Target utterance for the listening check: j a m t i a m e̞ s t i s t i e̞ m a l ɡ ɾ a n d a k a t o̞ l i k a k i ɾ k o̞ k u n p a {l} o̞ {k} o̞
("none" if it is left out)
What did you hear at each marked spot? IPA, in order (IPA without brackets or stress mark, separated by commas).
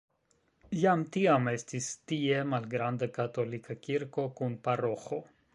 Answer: ɾ, x